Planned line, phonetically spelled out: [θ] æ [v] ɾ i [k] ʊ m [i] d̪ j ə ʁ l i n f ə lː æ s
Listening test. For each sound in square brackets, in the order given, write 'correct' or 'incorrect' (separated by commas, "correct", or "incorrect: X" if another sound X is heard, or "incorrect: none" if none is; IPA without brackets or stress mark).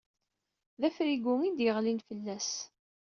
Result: incorrect: ð, incorrect: f, incorrect: ɡ, correct